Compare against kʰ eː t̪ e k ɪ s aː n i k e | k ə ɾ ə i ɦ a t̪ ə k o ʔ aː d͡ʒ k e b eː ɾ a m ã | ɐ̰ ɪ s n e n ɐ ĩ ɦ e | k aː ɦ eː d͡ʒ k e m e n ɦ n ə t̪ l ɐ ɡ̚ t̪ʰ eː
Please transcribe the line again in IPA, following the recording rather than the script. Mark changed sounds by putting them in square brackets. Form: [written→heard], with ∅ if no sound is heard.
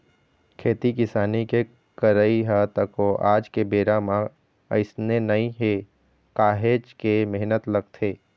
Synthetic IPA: kʰ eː t̪ [e→i] k ɪ s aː n i k e | k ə ɾ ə i ɦ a t̪ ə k o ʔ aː d͡ʒ k e b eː ɾ a m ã | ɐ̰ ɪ s n e n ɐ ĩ ɦ e | k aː ɦ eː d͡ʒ k e m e [n→∅] ɦ n ə t̪ l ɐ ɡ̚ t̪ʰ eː